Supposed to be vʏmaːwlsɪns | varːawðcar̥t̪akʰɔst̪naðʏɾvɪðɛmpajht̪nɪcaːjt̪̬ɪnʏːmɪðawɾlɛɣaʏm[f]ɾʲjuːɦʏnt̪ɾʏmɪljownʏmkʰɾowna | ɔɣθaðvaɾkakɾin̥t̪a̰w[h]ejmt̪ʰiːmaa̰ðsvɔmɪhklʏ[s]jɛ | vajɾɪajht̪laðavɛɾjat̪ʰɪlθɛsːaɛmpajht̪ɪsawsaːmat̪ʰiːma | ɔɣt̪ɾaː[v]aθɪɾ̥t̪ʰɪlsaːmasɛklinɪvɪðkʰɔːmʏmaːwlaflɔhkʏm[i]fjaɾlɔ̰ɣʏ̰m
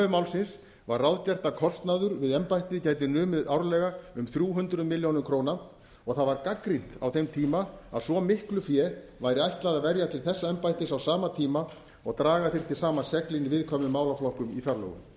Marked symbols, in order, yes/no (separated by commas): no, no, no, no, yes